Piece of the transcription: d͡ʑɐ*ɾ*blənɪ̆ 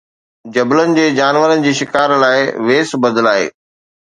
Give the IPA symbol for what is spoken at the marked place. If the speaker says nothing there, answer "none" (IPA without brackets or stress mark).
none